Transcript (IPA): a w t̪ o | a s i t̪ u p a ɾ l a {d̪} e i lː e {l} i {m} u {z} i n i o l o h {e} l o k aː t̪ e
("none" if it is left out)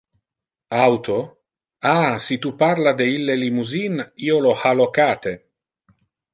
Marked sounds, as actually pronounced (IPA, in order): d̪, l, m, z, a

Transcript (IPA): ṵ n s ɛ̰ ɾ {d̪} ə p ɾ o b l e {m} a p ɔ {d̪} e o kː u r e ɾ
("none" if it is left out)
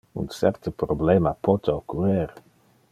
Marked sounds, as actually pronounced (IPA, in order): t̪, m, t̪

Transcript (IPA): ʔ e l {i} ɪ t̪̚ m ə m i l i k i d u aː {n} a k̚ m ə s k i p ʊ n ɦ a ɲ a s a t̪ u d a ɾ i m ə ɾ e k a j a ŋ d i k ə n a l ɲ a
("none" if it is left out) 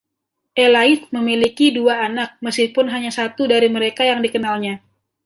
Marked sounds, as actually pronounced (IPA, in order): a, n

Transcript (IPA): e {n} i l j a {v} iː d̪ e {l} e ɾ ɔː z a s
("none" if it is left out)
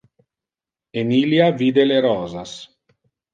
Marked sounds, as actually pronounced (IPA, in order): n, v, l

